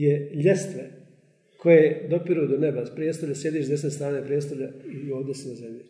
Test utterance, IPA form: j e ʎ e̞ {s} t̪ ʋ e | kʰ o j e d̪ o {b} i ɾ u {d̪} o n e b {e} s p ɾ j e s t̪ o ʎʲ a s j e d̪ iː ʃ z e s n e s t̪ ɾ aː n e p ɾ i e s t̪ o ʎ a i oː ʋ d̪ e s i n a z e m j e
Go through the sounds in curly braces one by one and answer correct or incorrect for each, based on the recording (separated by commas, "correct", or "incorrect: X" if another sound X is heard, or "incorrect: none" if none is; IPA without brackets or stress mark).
correct, incorrect: p, correct, incorrect: a